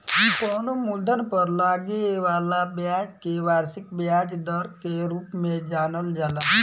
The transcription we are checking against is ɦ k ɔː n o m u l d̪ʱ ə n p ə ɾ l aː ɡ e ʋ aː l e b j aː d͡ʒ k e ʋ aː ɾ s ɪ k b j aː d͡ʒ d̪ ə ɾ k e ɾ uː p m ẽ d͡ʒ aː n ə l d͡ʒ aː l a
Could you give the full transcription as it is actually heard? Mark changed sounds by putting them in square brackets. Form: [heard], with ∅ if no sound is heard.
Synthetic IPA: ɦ k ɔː n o m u l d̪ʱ ə n p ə ɾ l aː ɡ e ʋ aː l [a] b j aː d͡ʒ k e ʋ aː ɾ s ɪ k b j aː d͡ʒ d̪ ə ɾ k e ɾ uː p m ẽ d͡ʒ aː n ə l d͡ʒ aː l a